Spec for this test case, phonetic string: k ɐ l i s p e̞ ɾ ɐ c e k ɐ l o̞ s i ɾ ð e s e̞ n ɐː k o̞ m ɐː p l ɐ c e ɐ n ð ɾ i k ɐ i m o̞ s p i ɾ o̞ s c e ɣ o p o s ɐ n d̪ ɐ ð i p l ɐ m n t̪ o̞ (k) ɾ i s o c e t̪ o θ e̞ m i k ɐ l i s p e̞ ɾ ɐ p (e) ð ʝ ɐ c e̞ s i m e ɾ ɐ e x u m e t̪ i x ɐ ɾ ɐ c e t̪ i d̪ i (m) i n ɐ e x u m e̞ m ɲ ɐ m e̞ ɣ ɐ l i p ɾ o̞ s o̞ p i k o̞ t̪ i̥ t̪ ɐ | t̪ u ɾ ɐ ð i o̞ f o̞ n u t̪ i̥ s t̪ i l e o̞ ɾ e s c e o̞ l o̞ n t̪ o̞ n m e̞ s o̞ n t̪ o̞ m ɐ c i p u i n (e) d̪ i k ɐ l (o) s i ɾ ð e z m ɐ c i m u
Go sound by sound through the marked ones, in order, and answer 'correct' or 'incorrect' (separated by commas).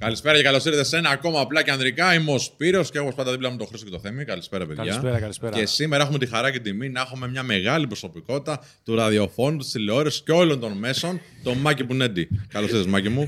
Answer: incorrect, correct, correct, correct, correct